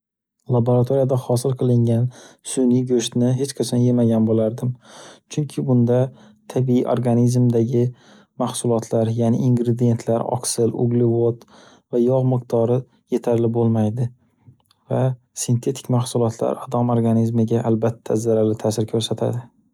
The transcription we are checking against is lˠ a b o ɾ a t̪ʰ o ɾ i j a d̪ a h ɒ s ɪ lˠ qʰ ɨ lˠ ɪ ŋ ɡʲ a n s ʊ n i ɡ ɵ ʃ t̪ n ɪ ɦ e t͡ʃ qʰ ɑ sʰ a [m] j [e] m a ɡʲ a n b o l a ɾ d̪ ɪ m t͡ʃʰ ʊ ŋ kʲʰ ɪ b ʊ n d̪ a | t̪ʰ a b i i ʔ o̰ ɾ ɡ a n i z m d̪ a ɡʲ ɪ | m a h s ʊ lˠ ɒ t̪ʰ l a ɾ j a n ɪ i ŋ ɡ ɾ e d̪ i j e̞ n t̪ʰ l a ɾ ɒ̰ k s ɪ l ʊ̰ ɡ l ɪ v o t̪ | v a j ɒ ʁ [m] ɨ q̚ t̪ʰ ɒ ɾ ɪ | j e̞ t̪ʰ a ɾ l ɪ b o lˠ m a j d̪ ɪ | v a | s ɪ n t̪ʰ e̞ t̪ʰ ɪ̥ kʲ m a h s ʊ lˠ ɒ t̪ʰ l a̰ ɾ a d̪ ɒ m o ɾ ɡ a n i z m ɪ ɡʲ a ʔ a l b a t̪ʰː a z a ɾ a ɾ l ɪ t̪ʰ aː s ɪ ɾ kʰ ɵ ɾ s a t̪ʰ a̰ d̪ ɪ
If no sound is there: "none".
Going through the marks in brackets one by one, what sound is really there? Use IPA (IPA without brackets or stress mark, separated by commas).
n, e, m